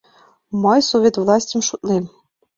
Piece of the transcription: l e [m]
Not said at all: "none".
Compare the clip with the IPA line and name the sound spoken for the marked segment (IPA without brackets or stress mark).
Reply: m